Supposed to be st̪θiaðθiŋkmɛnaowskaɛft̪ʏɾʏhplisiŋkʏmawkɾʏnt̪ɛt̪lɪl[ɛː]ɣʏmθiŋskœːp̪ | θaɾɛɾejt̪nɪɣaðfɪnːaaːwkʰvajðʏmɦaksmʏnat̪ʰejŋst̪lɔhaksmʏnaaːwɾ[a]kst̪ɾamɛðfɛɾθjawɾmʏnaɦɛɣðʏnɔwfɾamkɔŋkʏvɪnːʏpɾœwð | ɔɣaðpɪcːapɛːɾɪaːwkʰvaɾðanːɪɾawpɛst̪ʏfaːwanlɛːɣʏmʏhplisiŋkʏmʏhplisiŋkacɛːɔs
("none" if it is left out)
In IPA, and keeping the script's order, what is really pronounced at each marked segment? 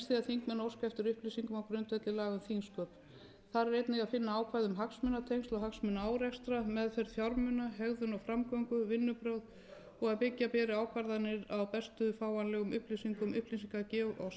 aː, ɛ

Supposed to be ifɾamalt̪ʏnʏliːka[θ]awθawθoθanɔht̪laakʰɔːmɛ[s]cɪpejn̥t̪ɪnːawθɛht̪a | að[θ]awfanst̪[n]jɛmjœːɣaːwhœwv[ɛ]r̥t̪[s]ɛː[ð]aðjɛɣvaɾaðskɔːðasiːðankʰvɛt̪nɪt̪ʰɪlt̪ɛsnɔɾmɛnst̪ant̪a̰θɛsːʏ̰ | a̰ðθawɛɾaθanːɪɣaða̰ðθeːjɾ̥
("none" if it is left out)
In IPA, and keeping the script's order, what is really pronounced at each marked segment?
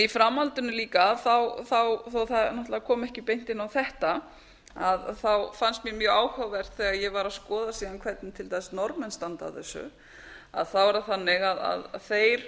θ, h, θ, m, ɛ, θ, ɣ

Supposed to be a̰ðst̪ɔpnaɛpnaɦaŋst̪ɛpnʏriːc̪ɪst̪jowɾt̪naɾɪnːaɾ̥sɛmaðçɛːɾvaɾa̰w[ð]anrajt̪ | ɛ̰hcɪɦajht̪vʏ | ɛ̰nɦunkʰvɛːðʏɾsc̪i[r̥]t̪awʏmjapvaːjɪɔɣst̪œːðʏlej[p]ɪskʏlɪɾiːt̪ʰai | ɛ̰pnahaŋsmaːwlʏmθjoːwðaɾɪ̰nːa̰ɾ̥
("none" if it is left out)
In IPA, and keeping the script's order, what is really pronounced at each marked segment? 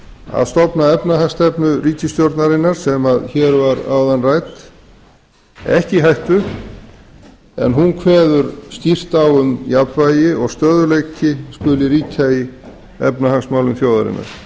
ð, r̥, c

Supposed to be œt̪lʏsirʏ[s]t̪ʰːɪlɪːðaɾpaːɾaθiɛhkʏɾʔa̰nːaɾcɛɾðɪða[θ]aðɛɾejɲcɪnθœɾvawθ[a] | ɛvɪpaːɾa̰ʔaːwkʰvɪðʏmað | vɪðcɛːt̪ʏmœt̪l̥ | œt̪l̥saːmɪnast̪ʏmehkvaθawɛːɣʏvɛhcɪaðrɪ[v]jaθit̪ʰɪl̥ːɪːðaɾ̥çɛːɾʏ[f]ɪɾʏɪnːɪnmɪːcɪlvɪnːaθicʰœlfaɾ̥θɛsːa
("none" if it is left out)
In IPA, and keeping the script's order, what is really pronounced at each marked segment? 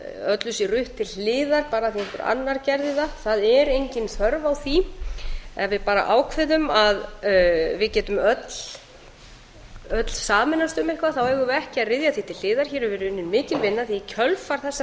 h, θ, i, ð, v

